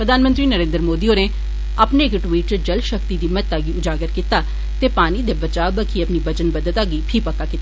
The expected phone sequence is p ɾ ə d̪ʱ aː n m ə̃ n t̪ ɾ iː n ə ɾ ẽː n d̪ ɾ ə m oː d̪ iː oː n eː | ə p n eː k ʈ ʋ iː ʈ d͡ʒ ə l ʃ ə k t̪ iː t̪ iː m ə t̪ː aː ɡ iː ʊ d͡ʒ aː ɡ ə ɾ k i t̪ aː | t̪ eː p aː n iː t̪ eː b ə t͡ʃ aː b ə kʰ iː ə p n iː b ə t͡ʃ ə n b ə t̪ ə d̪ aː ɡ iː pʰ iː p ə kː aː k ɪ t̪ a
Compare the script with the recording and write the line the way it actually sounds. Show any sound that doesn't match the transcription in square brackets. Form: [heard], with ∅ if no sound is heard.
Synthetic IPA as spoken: p ɾ ə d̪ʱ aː n m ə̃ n t̪ ɾ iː n ə ɾ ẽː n d̪ ɾ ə m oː d̪ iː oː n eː | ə p n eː k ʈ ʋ iː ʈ d͡ʒ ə l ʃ ə k t̪ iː [d̪] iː m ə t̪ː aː ɡ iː ʊ d͡ʒ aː ɡ ə ɾ k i t̪ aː | t̪ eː p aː n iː [d̪] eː b ə t͡ʃ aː b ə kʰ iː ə p n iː b ə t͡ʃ ə n b ə [d̪] ə [t̪] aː ɡ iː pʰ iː p ə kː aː k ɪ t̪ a